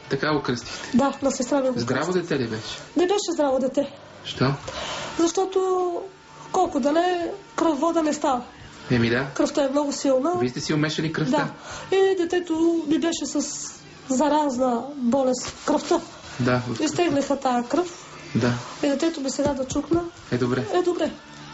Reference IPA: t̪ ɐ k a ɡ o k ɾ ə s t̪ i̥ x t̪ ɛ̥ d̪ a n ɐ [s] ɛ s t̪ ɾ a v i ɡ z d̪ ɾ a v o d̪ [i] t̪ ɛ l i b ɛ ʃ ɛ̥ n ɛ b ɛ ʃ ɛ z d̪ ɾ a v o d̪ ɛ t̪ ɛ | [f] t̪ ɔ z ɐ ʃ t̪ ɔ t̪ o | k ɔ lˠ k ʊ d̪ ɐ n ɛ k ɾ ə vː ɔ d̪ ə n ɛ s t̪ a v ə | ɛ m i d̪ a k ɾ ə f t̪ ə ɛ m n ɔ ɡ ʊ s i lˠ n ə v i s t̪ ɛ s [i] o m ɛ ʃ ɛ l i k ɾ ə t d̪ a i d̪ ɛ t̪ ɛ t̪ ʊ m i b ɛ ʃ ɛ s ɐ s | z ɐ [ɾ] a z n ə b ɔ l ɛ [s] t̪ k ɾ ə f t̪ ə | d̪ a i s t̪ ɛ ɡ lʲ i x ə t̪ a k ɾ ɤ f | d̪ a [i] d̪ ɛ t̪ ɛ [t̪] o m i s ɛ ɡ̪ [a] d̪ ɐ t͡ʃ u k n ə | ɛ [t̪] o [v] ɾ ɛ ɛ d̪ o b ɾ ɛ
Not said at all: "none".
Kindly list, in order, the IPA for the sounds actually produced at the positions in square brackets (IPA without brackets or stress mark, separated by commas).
s, ɛ, ʃ, i, ɾ, s, i, t̪, a, d̪, b